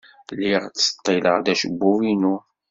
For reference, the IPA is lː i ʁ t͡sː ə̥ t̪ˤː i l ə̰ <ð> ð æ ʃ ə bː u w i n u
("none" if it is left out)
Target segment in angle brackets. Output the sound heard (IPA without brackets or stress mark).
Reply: ʁ